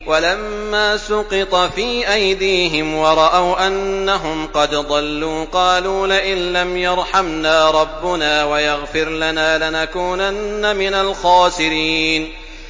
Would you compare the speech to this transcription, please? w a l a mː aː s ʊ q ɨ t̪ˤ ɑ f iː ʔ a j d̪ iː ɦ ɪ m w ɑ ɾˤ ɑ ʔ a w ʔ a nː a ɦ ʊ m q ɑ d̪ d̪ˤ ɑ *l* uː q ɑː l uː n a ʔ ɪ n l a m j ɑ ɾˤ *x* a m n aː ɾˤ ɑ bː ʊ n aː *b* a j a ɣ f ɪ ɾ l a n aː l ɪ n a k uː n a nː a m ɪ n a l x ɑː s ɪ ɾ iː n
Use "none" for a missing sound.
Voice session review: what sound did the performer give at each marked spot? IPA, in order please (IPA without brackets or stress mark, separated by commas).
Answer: lː, ħ, w